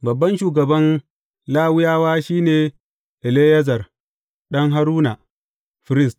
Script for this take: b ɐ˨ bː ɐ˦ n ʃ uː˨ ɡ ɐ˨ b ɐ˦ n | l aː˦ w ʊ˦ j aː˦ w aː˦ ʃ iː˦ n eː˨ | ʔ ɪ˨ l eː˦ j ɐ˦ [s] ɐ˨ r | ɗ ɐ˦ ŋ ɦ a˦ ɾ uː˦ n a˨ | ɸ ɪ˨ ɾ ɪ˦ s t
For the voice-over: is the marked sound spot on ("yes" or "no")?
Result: no